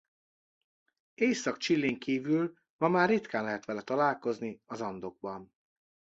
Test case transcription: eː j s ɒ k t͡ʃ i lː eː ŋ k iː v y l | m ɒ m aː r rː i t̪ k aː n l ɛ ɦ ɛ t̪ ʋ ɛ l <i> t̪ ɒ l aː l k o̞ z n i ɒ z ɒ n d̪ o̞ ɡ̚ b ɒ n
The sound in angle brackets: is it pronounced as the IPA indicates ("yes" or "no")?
no